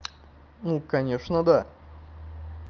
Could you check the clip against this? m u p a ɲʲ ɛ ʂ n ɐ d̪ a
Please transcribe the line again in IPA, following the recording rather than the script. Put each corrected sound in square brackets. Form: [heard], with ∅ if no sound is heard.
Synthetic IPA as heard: [n] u [k] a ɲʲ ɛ ʂ n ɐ d̪ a

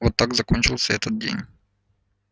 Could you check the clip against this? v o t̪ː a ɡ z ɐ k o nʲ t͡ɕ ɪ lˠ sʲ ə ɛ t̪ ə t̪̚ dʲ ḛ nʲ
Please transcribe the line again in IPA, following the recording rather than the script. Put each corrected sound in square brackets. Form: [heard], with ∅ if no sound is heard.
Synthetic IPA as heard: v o t̪ː a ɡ z ɐ k o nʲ t͡ɕ ɪ lˠ sʲ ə ɛ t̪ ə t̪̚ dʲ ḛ nʲ

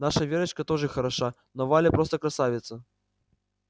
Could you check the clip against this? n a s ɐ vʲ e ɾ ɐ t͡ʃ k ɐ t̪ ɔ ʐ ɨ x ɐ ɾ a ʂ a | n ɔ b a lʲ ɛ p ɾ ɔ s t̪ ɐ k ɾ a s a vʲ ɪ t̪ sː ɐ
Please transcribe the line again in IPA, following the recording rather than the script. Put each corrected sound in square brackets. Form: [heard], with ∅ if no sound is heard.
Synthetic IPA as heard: n a [ʂ] ɐ vʲ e ɾ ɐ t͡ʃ k ɐ t̪ ɔ ʐ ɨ x ɐ ɾ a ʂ a | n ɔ [v] a lʲ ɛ p ɾ ɔ s t̪ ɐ k ɾ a s a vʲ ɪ t̪ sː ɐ

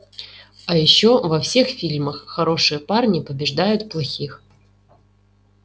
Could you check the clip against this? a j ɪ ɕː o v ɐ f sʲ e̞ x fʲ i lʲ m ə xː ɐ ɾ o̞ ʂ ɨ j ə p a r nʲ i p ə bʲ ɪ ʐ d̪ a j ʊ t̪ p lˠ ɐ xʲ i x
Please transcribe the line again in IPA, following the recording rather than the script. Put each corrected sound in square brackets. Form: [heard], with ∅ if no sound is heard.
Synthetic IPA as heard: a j ɪ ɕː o v ɐ f sʲ e̞ x fʲ i lʲ m ə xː ɐ ɾ o̞ ʂ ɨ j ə p a r nʲ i p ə bʲ ɪ ʐ d̪ a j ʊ t̪ p lˠ ɐ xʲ i x

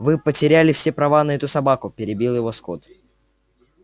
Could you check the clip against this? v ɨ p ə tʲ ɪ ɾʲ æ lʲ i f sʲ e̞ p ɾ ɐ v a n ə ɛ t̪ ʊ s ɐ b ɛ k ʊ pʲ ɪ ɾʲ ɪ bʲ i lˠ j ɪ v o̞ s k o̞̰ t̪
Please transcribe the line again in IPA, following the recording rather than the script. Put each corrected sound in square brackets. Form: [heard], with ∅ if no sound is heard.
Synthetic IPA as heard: v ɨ p ə tʲ ɪ ɾʲ æ lʲ [ɪ] f sʲ e̞ p ɾ ɐ v a n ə ɛ t̪ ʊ s ɐ b [a] k ʊ pʲ ɪ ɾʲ ɪ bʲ i lˠ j ɪ v o̞ s k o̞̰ t̪

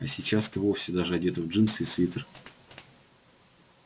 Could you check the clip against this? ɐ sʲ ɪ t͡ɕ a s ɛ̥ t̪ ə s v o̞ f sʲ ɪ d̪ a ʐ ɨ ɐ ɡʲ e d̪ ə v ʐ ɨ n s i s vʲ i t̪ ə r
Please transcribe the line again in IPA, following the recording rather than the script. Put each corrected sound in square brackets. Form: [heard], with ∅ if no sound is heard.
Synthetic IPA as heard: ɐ sʲ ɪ t͡ɕ a s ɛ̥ t̪ ə [∅] v o̞ f sʲ ɪ d̪ a ʐ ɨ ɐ [dʲ] e [t̪] ə v ʐ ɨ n s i s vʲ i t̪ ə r

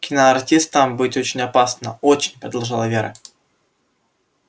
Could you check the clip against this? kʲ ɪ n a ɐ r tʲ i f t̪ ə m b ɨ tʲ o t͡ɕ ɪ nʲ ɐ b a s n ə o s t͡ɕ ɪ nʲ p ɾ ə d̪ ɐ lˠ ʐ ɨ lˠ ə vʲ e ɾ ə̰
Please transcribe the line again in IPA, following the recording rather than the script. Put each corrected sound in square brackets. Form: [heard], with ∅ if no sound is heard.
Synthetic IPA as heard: kʲ ɪ n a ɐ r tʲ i [s] t̪ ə m b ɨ tʲ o t͡ɕ ɪ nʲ ɐ [p] a s n ə o [∅] t͡ɕ ɪ nʲ p ɾ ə d̪ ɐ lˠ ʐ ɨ lˠ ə vʲ e ɾ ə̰

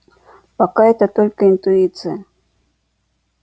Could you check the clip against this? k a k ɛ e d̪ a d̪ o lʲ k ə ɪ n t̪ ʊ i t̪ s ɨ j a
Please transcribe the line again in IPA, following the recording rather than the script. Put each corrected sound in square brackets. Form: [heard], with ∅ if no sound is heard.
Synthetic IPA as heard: [p] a k [a] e [t̪] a [t̪] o lʲ k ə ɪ n t̪ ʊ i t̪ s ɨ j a

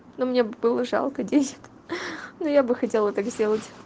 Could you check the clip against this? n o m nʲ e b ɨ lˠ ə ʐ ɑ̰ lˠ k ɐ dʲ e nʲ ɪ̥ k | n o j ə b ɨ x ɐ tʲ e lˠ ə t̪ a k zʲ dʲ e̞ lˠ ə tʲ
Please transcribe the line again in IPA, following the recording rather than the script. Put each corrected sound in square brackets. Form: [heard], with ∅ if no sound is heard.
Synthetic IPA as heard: n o m nʲ e b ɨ lˠ ə ʐ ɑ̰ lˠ k [ə] dʲ e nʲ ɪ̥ k | n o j [a] b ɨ x ɐ tʲ e lˠ ə t̪ a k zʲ dʲ e̞ lˠ ə tʲ

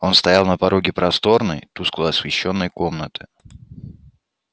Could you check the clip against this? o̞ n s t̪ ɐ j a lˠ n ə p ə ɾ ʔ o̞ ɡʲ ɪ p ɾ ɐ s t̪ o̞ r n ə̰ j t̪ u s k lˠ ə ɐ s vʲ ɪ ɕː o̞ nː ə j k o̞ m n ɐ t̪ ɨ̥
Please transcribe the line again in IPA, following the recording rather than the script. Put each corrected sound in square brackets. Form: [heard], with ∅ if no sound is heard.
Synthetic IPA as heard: o̞ n s t̪ ɐ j a lˠ n ə p [ɐ] ɾ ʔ o̞ ɡʲ ɪ p ɾ ɐ s t̪ o̞ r n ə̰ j t̪ u s k lˠ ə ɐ s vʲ ɪ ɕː o̞ nː ə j k o̞ m n [ə] t̪ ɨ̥

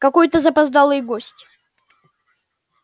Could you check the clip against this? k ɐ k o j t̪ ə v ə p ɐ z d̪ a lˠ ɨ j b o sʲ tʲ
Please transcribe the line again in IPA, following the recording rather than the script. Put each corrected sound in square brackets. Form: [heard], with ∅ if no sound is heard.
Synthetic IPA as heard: k ɐ k o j t̪ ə [z] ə p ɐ z d̪ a lˠ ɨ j [ɡ] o sʲ tʲ

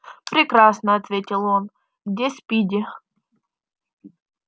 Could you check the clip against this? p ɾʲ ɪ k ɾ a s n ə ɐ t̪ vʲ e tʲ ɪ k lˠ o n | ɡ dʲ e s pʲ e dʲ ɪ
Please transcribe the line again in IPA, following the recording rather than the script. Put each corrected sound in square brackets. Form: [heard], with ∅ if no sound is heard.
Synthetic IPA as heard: p ɾʲ ɪ k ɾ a s n ə ɐ t̪ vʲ e tʲ ɪ [∅] lˠ o n | ɡ dʲ e s pʲ [i] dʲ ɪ

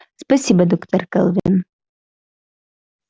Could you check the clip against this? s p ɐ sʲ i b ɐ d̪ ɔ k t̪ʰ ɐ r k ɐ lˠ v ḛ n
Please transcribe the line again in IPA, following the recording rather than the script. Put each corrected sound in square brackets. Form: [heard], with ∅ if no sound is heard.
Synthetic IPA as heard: s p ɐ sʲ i b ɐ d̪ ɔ k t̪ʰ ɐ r k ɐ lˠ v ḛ n

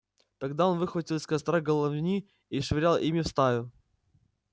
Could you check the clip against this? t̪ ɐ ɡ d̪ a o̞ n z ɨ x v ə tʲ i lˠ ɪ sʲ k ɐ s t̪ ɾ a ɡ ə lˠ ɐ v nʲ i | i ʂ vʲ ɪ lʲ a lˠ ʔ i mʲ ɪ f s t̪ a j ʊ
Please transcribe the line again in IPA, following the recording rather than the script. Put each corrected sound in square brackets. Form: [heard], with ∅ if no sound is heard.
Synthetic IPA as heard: t̪ ɐ ɡ d̪ a o̞ n [v] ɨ x v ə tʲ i lˠ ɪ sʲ k ɐ s t̪ ɾ a ɡ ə lˠ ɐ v nʲ i | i ʂ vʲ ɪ [ɾʲ] a lˠ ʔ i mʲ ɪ f s t̪ a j ʊ

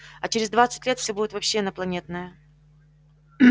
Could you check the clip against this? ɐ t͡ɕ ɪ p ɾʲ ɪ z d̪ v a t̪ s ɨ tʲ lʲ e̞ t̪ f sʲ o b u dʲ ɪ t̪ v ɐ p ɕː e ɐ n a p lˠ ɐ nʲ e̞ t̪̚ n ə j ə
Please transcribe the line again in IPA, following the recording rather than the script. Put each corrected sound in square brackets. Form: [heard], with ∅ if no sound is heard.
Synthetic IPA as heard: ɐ t͡ɕ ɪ [∅] ɾʲ ɪ z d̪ v a t̪ s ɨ tʲ lʲ e̞ t̪ f sʲ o b u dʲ ɪ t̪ v ɐ p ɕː e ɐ n [ə] p lˠ ɐ nʲ e̞ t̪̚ n ə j ə

